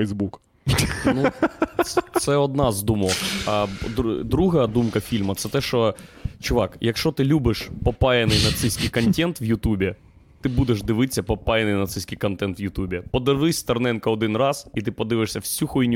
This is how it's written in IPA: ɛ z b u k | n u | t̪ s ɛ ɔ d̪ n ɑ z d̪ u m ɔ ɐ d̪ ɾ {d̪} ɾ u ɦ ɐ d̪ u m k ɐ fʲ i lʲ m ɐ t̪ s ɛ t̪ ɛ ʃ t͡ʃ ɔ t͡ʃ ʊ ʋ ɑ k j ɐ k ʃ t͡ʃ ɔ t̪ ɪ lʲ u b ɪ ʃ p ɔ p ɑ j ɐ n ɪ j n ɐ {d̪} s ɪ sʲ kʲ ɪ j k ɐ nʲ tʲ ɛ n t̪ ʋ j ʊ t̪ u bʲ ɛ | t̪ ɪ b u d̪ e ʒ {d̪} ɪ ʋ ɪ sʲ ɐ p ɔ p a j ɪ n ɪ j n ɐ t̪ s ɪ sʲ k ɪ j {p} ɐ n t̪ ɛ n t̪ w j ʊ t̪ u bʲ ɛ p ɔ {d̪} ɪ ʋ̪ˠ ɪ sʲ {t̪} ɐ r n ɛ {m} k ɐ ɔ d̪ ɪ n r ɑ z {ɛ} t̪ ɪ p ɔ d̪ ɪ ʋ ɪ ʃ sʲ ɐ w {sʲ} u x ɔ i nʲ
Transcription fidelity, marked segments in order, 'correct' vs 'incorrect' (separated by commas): correct, incorrect, correct, incorrect, correct, correct, incorrect, incorrect, correct